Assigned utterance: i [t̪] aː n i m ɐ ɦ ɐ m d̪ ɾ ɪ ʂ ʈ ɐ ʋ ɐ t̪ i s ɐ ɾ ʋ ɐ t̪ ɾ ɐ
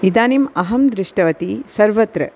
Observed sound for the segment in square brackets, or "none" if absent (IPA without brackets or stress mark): d̪